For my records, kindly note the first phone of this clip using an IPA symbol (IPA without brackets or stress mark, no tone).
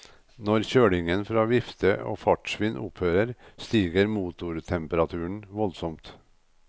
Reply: n